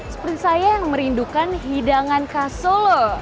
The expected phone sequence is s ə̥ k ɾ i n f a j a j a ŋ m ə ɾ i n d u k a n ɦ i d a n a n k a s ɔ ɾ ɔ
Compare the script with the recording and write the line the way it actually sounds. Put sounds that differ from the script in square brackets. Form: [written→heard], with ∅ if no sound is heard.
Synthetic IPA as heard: s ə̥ [k→p] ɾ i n [f→s] a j a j a ŋ m ə ɾ i n d u k a n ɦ i d a [n→ŋ] a n k a s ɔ [ɾ→l] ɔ